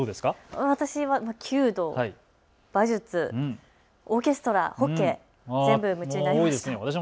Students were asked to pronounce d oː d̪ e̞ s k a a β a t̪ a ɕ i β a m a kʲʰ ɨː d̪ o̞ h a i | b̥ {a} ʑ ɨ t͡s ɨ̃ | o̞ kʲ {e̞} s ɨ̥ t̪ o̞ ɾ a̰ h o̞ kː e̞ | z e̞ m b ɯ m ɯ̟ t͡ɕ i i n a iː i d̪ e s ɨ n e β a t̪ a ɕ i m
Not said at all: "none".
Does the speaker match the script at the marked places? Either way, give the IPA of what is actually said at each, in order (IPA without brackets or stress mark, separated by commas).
a, e̞